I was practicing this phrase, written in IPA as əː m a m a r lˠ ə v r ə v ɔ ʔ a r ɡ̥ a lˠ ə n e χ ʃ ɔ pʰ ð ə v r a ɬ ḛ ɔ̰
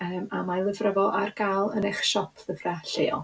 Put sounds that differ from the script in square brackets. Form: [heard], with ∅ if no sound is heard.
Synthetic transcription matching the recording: əː m a m a [∅] lˠ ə v r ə v ɔ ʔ a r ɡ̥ a lˠ ə n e χ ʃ ɔ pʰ ð ə v r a ɬ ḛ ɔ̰